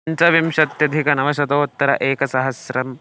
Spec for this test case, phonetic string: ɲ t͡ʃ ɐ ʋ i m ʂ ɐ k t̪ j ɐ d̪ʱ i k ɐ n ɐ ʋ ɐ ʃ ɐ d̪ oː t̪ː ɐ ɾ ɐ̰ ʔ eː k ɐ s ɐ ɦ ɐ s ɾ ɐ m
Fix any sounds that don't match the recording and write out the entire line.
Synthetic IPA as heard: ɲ t͡ʃ ɐ ʋ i m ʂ ɐ t̪ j ɐ d̪ʱ i k ɐ n ɐ ʋ ɐ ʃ ɐ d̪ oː t̪ː ɐ ɾ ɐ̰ ʔ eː k ɐ s ɐ ɦ ɐ s ɾ ɐ m